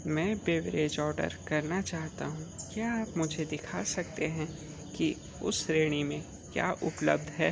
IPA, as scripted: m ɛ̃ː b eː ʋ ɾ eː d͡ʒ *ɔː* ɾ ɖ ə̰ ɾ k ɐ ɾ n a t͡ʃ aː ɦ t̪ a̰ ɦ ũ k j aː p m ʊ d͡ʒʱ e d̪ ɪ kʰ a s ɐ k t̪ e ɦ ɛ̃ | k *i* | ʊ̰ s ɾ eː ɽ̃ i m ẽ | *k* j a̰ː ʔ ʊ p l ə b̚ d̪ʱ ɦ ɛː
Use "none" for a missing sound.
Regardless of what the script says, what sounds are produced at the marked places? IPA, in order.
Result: ɔː, i, k

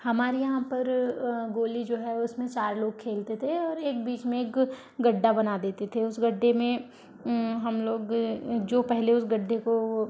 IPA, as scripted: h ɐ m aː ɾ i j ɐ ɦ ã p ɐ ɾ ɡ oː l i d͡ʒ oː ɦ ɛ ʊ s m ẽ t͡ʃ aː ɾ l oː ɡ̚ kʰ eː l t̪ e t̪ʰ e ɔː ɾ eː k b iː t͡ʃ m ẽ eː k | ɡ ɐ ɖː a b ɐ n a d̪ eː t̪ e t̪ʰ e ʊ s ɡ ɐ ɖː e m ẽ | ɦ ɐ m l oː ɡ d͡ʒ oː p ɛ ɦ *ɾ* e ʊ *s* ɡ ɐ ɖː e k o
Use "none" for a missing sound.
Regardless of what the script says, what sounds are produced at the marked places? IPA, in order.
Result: l, s

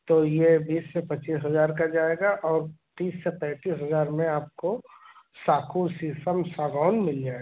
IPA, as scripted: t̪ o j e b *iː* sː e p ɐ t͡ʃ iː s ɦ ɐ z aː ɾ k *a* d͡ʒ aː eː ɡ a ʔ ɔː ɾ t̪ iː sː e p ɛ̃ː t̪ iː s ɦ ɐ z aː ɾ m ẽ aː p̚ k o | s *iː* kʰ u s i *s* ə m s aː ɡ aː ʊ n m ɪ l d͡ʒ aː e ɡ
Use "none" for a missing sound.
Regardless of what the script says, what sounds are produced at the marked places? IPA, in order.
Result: iː, a, aː, s

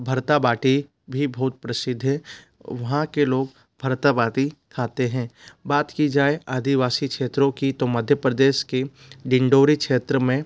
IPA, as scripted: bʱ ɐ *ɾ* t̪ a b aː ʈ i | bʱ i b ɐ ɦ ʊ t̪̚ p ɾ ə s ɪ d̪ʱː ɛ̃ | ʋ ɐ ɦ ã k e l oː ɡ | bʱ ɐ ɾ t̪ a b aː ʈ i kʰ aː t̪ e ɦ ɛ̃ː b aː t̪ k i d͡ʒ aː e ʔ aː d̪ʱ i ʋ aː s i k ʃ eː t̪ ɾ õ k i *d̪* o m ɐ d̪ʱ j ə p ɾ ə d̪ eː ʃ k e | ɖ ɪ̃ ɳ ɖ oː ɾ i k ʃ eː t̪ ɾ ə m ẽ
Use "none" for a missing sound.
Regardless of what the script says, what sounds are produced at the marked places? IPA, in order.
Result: ɾ, t̪

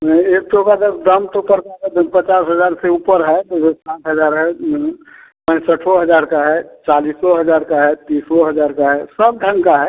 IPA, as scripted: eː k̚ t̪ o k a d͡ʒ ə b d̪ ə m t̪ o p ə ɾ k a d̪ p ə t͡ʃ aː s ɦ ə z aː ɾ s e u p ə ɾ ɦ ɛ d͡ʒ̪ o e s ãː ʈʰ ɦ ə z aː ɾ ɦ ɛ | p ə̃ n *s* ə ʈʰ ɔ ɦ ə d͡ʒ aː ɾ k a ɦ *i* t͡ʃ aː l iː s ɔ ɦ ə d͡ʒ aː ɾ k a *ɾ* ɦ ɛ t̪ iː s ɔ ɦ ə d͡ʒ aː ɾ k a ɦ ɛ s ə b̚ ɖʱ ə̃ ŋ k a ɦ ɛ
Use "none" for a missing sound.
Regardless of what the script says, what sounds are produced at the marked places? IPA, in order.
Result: s, ɛ, none

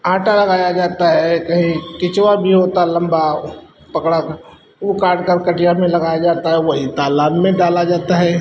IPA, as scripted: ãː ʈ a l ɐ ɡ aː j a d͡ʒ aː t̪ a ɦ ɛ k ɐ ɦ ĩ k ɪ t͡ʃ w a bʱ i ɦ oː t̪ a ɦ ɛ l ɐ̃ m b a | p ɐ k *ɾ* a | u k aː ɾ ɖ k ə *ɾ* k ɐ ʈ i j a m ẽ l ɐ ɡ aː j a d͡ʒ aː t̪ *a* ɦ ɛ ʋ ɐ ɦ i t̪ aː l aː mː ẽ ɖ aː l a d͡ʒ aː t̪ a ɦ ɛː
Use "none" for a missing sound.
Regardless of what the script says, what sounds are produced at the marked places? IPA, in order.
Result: ɽ, ɾ, a

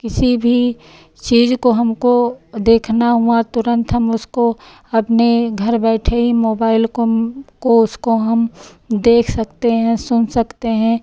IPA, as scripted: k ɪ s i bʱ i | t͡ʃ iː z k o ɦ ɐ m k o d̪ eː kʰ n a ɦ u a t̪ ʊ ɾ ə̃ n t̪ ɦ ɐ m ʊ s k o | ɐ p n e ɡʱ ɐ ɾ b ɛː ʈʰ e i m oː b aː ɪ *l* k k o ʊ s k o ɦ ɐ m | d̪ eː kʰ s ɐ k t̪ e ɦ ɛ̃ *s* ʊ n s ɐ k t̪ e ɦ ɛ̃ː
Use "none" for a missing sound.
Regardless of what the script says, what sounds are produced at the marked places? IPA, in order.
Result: l, s

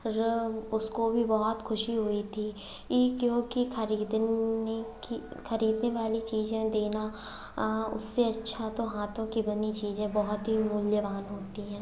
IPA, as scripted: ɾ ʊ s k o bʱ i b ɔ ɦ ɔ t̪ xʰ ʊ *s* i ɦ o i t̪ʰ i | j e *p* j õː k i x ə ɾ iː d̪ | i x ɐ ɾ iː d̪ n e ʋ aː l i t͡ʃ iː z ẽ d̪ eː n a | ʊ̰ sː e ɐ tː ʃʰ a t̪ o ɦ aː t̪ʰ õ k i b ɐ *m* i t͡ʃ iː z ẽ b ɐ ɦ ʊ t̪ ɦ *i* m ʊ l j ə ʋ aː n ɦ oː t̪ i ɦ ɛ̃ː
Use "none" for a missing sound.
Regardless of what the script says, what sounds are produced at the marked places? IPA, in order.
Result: ʃ, k, n, i

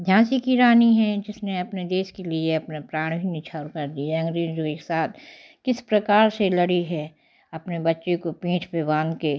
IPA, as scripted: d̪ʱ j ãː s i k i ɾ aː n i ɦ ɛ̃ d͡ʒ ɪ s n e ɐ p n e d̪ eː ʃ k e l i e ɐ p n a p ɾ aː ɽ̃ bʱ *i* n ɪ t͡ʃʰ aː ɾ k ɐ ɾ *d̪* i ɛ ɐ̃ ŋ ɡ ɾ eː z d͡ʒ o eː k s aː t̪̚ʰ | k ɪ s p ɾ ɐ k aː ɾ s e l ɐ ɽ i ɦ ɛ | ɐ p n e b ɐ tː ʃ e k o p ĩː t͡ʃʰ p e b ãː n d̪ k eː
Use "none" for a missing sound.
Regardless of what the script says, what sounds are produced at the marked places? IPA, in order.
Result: i, d̪

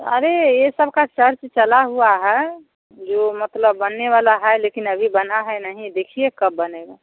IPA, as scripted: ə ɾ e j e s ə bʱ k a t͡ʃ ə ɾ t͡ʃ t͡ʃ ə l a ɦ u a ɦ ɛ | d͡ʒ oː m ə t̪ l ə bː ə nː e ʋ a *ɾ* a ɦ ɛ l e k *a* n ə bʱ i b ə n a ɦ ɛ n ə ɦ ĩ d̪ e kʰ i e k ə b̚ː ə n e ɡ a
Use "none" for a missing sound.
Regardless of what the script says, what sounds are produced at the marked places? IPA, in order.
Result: l, i

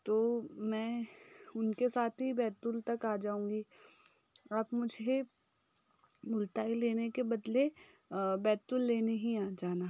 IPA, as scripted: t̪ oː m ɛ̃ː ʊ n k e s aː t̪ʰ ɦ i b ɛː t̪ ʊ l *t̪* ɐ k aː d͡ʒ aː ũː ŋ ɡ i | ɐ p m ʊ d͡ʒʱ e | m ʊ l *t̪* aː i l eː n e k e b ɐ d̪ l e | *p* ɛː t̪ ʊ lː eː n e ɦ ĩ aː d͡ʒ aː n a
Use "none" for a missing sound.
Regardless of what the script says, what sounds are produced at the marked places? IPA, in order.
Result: t̪, t̪, b

